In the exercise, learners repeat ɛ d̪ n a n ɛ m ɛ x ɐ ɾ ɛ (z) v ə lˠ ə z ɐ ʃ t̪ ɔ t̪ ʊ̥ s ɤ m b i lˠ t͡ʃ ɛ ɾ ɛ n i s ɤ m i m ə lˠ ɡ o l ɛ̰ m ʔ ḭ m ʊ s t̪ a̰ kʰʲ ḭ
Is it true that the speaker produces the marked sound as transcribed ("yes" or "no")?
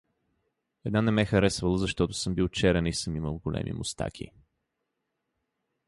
no